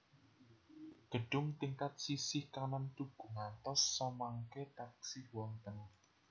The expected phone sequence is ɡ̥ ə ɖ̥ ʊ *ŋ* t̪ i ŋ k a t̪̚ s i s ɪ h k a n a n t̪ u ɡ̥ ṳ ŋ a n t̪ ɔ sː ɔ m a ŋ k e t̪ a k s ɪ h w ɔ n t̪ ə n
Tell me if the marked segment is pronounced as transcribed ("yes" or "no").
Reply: yes